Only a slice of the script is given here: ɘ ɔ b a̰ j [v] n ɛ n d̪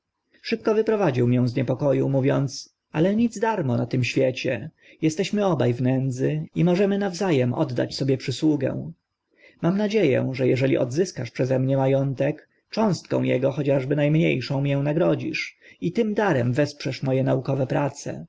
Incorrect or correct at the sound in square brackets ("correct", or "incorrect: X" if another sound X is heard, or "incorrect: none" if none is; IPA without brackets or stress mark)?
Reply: correct